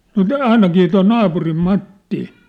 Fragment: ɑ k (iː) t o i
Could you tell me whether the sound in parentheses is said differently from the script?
no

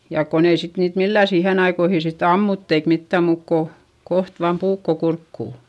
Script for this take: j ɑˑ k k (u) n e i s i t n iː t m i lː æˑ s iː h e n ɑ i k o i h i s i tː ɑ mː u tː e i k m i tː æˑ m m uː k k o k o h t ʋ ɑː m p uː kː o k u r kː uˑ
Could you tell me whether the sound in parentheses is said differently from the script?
yes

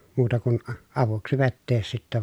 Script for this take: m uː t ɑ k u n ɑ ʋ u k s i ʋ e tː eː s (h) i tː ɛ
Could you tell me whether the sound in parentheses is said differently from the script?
yes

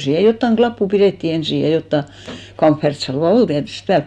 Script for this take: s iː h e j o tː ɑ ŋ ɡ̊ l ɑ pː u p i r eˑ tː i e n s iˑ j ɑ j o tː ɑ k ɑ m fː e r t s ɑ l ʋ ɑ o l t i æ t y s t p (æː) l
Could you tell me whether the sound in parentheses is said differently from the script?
no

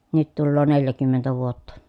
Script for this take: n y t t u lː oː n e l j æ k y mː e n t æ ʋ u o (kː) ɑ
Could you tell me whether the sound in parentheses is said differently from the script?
yes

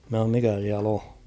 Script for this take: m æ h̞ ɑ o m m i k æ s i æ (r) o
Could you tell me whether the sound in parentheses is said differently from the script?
yes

